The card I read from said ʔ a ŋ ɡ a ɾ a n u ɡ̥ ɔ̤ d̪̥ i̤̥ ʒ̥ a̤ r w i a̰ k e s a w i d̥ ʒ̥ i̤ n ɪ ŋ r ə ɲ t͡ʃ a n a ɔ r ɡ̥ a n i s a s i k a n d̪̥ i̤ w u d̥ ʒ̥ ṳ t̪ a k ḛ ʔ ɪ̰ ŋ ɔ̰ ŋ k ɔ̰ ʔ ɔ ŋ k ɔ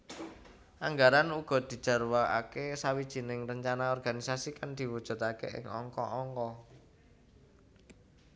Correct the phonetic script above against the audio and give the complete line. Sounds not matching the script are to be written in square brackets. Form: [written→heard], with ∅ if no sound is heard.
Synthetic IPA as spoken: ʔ a ŋ ɡ a ɾ a n u ɡ̥ ɔ̤ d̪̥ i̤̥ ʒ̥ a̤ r w [i→a] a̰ k e s a w i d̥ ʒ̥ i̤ n ɪ ŋ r ə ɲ t͡ʃ a n a ɔ r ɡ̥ a n i s a s i k a n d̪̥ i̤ w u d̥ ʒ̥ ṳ t̪ a k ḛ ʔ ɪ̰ ŋ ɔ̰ ŋ k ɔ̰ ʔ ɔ ŋ k ɔ